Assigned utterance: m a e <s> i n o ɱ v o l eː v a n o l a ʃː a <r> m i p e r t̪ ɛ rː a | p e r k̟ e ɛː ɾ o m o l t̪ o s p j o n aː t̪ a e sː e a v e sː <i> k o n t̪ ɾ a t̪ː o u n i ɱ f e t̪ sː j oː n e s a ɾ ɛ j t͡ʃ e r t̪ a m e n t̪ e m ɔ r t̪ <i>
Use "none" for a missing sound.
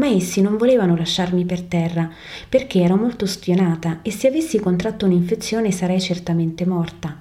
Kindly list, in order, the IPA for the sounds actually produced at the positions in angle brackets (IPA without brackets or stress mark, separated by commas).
sː, r, i, a